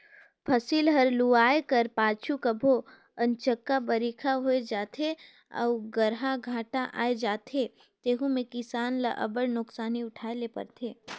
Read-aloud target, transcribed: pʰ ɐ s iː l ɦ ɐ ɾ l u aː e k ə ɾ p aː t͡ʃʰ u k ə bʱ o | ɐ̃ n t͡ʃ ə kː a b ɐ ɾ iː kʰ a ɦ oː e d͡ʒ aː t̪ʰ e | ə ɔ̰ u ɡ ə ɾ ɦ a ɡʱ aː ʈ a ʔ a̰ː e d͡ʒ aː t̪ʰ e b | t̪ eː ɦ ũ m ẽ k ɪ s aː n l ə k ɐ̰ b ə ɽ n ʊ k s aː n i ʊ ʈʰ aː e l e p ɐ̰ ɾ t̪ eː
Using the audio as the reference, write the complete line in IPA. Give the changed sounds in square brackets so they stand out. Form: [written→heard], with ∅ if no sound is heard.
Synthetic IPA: pʰ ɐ s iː l ɦ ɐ ɾ l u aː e k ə ɾ p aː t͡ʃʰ u k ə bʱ o | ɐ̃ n t͡ʃ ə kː a b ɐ ɾ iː kʰ a ɦ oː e d͡ʒ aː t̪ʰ e | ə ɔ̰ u ɡ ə ɾ ɦ a ɡʱ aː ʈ a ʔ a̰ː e d͡ʒ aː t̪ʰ e [b→∅] | t̪ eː ɦ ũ m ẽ k ɪ s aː n l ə [k→ʔ] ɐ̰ b ə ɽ n ʊ k s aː n i ʊ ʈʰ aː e l e p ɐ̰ ɾ [t̪→t̪ʰ] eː